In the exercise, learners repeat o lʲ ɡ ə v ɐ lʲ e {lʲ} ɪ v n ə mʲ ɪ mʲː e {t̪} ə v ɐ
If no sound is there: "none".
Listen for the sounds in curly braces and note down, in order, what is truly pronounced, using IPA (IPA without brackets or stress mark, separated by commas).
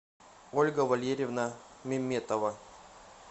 ɾʲ, t̪